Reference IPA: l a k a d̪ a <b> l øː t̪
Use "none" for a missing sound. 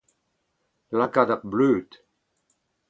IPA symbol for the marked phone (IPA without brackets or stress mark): b